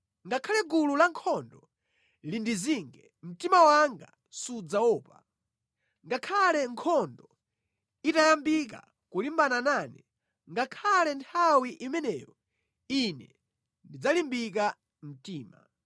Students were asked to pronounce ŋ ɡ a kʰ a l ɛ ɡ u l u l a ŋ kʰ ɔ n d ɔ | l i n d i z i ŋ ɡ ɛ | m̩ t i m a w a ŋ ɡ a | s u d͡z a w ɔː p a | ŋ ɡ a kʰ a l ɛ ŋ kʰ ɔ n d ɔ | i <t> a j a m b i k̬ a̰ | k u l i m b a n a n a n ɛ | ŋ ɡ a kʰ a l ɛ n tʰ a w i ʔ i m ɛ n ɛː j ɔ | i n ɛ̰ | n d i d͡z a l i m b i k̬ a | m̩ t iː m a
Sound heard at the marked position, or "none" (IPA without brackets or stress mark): t